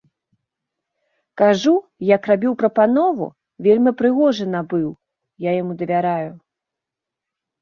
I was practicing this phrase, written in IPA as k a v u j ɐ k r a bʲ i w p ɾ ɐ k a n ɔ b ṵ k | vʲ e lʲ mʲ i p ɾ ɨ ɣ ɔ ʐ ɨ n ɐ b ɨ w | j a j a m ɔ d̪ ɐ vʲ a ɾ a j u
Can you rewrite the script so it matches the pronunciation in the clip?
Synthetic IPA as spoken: k a ʐ u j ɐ k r a bʲ i w p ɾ ɐ p a n ɔ v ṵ | vʲ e lʲ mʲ i p ɾ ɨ ɣ ɔ ʐ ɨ n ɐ b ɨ w | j a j a m u d̪ ɐ vʲ a ɾ a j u